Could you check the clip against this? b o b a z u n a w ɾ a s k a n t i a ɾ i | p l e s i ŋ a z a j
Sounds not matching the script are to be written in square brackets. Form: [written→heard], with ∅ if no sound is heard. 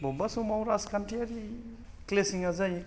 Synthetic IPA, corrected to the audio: b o b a [z→s] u [n→m] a w ɾ a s k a n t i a ɾ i | [p→k] l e s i ŋ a z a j